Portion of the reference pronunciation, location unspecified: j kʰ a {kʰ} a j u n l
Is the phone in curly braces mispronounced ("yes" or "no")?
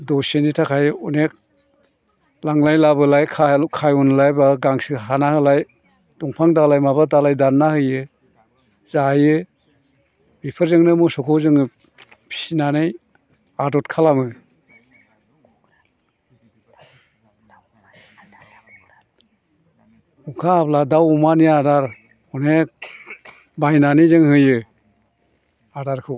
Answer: no